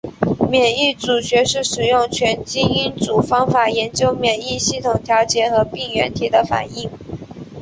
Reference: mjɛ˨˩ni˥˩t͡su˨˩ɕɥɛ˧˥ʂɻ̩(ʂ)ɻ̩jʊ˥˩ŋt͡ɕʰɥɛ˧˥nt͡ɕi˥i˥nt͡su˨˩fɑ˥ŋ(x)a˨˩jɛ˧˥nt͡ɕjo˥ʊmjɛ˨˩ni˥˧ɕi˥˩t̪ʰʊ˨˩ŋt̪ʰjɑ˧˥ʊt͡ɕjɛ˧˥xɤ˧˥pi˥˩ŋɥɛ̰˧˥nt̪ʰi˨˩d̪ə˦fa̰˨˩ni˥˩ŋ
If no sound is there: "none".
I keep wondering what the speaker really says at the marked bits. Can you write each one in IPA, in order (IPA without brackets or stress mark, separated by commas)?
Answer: ʂ, f